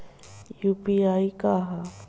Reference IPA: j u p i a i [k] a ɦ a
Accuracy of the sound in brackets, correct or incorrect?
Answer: correct